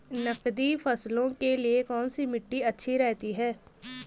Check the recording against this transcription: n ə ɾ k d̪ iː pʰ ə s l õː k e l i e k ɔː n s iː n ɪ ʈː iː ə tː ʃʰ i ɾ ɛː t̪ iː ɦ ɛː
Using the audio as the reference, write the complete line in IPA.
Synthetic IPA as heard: n ə k d̪ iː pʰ ə s l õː k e l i e k ɔː n s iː m ɪ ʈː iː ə tː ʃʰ i ɾ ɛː t̪ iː ɦ ɛː